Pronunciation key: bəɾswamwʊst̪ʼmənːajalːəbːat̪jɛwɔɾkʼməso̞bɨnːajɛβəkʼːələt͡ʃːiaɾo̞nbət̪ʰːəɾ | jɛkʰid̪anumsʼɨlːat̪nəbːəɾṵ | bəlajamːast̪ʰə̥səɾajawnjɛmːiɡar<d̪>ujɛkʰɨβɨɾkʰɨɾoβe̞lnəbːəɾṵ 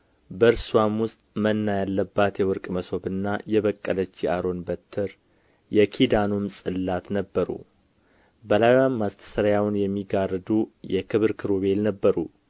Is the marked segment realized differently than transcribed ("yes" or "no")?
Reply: no